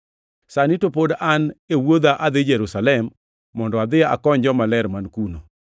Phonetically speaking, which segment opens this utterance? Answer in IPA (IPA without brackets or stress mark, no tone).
s